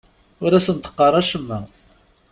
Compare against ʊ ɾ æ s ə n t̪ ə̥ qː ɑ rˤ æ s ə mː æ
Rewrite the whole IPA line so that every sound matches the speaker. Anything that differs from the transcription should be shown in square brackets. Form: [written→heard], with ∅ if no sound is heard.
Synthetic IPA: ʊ ɾ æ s ə n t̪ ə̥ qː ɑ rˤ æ [s→ʃ] ə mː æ